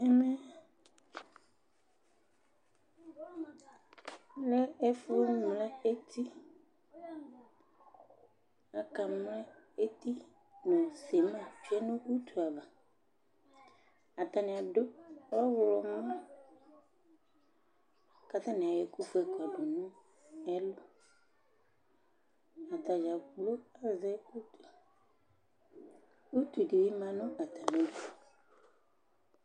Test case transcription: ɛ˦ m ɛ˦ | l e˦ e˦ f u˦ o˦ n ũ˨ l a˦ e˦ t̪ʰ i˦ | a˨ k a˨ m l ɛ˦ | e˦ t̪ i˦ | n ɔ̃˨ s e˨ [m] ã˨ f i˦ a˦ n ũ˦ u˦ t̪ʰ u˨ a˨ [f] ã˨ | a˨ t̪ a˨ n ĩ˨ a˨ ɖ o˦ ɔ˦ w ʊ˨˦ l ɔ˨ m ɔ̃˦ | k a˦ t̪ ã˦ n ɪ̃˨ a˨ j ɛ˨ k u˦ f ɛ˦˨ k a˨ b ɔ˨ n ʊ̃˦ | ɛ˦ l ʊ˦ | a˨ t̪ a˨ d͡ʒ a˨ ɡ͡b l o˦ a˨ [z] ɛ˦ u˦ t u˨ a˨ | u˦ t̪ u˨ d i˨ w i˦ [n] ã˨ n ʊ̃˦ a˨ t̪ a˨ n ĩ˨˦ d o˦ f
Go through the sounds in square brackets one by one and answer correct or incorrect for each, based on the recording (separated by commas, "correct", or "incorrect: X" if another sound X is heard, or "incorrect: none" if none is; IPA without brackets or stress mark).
correct, incorrect: v, correct, incorrect: m